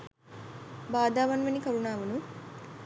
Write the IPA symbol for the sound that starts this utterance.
b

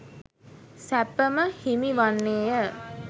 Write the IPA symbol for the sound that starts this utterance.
s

